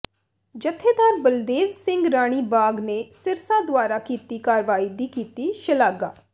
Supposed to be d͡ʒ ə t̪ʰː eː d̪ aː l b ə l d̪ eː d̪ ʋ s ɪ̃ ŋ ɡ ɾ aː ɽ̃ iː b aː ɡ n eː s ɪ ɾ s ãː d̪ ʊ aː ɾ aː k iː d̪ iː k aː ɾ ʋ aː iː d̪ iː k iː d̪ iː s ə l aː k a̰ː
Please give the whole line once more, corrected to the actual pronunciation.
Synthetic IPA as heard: d͡ʒ ə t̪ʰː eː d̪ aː ɾ b ə l d̪ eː ʋ s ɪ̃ ŋ ɡ ɾ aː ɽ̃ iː b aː ɡ n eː s ɪ ɾ s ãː d̪ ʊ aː ɾ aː k iː t̪ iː k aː ɾ ʋ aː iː d̪ iː k iː t̪ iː ʃ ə l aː ɡ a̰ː